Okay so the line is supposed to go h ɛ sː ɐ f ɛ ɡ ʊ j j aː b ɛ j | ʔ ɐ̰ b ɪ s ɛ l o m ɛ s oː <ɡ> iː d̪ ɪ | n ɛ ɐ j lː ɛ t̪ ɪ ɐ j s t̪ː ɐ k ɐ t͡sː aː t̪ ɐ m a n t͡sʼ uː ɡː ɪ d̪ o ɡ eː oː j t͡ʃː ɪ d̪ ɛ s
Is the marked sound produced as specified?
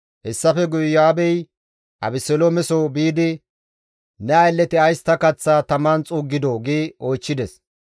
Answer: no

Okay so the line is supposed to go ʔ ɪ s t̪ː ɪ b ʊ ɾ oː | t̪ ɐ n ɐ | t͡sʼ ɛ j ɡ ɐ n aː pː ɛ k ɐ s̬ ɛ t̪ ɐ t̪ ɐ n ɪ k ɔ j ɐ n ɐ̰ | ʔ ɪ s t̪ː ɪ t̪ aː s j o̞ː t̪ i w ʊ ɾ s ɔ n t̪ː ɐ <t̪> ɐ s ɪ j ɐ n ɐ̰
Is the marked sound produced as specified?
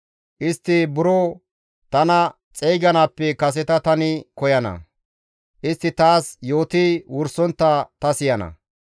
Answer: yes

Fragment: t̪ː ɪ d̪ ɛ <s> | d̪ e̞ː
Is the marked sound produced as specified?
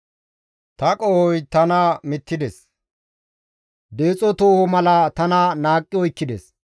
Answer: yes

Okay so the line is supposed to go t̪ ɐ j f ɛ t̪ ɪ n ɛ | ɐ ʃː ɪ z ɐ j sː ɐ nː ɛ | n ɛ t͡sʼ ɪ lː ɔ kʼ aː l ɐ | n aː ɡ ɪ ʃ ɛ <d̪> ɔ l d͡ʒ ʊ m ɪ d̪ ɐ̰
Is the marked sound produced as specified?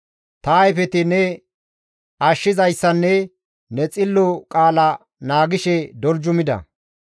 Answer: yes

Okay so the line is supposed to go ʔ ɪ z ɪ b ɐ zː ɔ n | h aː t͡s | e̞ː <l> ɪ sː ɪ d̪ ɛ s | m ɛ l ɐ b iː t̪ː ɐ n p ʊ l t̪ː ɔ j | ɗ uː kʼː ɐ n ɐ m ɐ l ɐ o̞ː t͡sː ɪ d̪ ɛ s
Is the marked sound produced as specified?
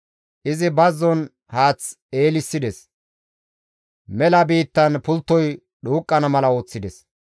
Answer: yes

